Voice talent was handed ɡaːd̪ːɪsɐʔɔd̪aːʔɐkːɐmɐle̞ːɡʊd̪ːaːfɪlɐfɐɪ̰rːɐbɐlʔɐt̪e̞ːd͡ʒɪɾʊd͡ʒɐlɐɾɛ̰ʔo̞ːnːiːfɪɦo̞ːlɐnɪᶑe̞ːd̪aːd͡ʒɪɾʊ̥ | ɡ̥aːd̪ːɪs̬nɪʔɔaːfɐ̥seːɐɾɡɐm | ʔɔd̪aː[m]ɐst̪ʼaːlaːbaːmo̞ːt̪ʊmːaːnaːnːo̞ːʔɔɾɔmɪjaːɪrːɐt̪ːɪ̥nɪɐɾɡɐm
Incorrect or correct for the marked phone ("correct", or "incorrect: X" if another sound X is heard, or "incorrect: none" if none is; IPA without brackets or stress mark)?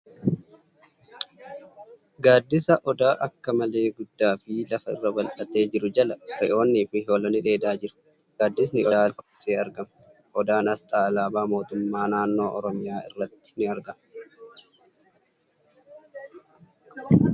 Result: incorrect: n